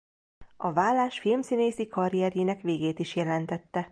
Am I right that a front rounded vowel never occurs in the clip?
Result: yes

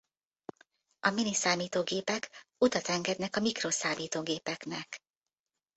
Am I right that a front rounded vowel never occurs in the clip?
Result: yes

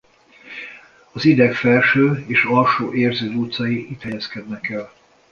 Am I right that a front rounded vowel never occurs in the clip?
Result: no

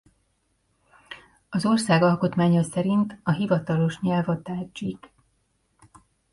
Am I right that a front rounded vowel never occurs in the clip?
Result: yes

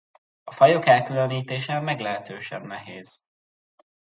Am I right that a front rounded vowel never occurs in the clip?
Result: no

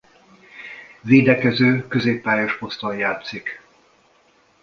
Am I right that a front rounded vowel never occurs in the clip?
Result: no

